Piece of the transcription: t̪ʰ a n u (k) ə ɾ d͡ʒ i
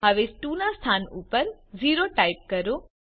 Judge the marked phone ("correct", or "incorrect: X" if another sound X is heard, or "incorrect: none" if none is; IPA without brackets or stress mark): incorrect: p